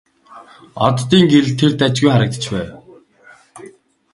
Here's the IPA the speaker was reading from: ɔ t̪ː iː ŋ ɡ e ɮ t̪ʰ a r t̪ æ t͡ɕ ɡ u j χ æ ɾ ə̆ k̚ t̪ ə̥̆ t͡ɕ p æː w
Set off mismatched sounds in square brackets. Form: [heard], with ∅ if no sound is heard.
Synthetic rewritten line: ɔ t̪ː iː ŋ ɡ e ɮ t̪ʰ [e] r t̪ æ t͡ɕ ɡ u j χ [a] ɾ ə̆ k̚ t̪ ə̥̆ t͡ɕ p æː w